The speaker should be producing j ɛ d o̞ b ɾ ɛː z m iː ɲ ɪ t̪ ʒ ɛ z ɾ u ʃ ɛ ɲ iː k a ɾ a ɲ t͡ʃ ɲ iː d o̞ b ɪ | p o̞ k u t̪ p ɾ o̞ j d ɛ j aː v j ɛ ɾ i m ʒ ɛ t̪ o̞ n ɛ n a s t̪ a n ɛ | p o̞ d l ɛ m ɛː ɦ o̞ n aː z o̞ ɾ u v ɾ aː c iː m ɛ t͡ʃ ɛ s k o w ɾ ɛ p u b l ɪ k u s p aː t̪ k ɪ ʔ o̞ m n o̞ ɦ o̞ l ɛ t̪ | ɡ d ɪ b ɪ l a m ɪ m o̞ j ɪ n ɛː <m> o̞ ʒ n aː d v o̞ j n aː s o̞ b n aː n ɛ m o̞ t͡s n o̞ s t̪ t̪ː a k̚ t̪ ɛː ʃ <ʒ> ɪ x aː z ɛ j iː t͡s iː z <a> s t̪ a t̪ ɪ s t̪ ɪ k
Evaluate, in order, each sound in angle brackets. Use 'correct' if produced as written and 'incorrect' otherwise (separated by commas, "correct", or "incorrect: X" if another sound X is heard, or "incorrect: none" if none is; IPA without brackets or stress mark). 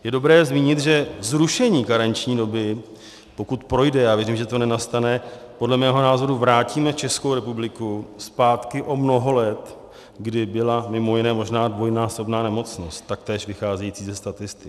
correct, incorrect: v, incorrect: ɛ